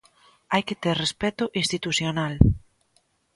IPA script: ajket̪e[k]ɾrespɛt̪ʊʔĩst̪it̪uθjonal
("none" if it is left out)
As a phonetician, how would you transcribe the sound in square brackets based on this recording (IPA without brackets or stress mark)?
none